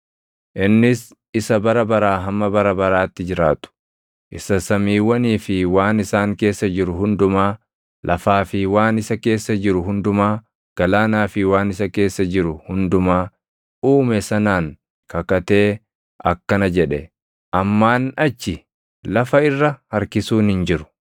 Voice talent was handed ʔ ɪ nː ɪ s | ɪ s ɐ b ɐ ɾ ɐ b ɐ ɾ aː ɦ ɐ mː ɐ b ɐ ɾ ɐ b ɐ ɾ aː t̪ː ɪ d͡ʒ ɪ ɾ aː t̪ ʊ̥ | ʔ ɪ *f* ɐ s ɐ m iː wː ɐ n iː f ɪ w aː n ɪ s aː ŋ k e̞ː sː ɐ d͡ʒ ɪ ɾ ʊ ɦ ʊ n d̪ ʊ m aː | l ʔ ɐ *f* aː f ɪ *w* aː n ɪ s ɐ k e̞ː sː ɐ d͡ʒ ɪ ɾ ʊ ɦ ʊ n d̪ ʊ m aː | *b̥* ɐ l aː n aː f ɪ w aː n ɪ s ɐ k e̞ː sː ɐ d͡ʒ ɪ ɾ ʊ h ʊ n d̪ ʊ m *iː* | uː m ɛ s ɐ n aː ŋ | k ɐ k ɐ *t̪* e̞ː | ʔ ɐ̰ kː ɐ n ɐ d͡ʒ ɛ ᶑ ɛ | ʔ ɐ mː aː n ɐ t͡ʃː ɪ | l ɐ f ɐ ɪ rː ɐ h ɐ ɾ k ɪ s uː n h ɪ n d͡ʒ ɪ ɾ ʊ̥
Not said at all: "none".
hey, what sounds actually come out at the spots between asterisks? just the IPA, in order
s, f, w, ɡ̥, aː, t̪

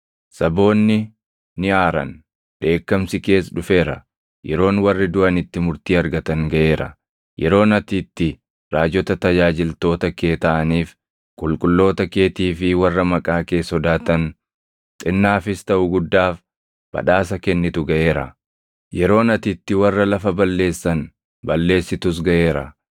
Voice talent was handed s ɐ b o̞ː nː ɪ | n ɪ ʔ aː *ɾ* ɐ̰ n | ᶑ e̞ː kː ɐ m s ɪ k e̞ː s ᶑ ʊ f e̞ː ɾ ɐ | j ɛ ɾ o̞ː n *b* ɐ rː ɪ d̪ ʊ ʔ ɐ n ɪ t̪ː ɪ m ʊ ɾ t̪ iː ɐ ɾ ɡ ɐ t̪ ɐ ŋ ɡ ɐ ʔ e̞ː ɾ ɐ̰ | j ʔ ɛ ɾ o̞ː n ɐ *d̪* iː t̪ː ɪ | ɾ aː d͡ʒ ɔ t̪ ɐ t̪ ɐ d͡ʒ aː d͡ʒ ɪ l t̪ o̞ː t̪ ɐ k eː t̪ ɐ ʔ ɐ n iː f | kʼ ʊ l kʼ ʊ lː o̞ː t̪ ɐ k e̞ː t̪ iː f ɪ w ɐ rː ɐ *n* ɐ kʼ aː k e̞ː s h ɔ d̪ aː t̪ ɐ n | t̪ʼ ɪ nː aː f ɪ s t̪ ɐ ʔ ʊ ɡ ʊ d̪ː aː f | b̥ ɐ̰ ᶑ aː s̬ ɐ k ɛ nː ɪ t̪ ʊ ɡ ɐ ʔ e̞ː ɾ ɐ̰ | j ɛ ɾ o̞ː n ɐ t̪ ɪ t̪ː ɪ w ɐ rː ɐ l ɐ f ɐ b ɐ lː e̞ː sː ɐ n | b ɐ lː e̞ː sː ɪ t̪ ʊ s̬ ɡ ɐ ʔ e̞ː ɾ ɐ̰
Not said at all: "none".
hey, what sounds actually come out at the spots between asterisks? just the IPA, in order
ɾ, w, t̪, m

